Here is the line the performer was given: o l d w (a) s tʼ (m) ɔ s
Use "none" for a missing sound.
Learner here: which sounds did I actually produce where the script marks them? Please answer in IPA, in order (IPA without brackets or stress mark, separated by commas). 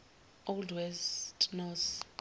ɛ, n